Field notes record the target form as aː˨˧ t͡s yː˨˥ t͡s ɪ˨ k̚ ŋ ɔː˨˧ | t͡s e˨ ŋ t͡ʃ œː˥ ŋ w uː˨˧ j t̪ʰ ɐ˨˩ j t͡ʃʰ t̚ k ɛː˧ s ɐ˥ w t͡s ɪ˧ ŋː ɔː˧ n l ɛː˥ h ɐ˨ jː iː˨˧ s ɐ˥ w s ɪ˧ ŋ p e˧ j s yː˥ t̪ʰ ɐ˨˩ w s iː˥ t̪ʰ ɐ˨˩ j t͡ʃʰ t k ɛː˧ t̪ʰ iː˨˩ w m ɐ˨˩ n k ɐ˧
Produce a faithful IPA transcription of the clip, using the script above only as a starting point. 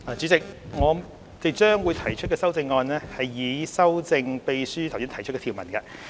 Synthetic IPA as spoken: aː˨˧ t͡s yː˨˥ t͡s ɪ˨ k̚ ŋ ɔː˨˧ | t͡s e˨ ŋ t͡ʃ œː˥ ŋ w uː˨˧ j t̪ʰ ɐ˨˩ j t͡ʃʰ t̚ k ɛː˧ s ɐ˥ w t͡s ɪ˧ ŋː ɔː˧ n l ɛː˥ h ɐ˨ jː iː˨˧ s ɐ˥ w t͡s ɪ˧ ŋ p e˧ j s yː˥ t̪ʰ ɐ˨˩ w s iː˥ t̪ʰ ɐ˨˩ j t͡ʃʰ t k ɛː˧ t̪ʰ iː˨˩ w m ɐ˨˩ n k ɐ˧